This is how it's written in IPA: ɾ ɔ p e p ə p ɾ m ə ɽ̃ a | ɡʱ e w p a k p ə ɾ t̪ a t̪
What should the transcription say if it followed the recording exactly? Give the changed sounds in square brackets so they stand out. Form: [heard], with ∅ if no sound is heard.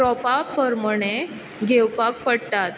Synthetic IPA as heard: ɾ ɔ p [a] p ə [∅] ɾ m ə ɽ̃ [e] | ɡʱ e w p a k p ə [ɽ] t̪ a t̪